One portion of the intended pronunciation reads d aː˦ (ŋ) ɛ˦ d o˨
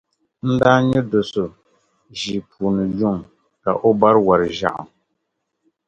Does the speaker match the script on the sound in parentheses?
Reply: no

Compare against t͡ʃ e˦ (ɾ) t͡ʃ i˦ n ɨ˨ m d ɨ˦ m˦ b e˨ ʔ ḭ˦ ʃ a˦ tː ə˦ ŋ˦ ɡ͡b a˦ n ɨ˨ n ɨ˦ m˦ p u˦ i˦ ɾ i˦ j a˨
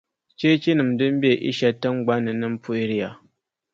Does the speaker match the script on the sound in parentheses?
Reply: no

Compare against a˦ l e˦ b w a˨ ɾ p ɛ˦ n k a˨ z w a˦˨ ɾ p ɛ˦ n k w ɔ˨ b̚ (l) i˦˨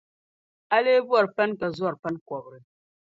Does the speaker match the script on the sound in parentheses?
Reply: no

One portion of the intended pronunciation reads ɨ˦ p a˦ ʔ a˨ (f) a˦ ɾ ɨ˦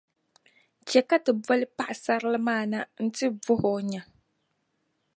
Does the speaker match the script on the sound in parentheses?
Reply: no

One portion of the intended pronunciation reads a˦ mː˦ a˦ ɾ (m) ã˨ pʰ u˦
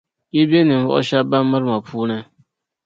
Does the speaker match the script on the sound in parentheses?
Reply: yes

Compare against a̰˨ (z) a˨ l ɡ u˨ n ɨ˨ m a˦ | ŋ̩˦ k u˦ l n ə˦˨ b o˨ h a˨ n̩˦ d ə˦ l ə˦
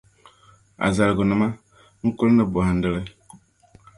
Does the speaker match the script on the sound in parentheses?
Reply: yes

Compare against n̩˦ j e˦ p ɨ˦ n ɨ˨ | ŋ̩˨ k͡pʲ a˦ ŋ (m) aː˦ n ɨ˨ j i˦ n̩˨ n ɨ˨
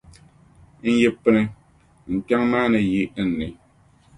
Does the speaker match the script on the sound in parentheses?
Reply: yes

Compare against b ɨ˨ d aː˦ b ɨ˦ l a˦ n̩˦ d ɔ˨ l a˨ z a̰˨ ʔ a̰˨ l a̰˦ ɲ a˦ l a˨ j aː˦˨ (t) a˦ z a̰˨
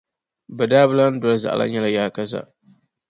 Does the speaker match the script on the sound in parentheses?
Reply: no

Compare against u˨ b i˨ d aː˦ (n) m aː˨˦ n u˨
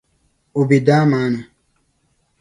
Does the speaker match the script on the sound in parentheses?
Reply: no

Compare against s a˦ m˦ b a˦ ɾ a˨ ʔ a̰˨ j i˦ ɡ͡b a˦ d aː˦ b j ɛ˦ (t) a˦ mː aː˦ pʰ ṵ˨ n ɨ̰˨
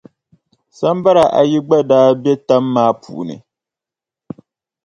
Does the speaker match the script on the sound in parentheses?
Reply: yes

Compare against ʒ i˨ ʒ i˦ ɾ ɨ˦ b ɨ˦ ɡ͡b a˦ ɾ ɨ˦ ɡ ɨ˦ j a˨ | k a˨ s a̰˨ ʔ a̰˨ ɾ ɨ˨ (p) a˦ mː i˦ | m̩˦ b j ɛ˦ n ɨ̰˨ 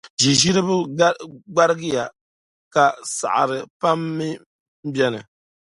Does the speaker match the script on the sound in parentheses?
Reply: yes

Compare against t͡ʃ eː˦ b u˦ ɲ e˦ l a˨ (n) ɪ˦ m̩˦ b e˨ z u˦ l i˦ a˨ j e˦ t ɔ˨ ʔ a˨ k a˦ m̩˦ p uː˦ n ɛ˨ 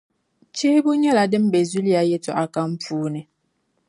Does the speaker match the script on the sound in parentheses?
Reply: no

